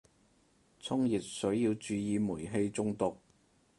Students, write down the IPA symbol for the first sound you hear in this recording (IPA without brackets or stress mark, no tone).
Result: t͡sʰ